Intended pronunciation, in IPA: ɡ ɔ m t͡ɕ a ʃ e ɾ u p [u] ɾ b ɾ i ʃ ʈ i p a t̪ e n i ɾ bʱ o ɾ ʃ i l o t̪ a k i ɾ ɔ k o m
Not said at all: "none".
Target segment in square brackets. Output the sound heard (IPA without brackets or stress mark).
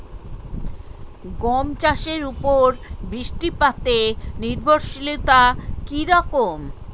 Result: o